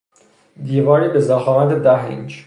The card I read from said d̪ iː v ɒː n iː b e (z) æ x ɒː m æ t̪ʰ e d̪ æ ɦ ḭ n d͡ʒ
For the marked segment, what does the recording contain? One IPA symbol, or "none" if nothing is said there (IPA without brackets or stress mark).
z